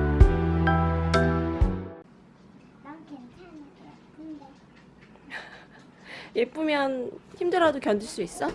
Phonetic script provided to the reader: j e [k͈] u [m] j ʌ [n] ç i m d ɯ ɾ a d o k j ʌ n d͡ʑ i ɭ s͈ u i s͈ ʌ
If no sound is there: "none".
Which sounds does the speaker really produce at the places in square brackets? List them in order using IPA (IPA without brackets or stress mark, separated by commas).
p͈, m, n